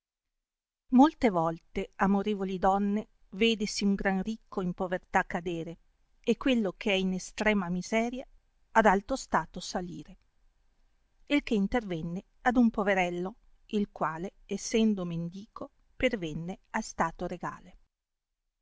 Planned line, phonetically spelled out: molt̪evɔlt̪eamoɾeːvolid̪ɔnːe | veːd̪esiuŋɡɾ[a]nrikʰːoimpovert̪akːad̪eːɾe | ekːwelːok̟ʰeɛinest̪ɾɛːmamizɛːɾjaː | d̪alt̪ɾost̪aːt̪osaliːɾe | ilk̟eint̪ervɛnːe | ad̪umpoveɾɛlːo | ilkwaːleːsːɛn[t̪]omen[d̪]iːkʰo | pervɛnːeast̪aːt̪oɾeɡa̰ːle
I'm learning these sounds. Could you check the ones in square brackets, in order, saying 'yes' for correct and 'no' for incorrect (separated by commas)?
yes, no, yes